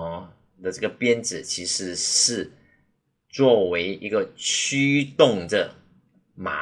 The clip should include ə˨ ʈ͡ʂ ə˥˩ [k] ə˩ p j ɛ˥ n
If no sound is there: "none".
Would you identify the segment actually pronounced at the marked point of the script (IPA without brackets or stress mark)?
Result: ɡ